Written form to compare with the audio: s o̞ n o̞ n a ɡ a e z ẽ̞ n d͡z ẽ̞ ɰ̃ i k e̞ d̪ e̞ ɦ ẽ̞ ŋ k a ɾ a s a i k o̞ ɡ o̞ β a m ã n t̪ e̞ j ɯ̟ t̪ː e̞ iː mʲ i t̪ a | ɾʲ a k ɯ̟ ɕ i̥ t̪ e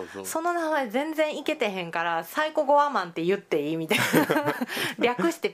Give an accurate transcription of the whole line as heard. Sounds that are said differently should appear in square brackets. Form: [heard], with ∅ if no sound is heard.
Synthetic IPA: s o̞ n o̞ n a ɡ a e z ẽ̞ n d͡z ẽ̞ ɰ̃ i k e̞ [t̪] e̞ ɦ ẽ̞ ŋ k a ɾ a s a i k o̞ ɡ o̞ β a m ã n t̪ e̞ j ɯ̟ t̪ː e̞ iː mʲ i t̪ a | ɾʲ a k ɯ̟ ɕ i̥ t̪ e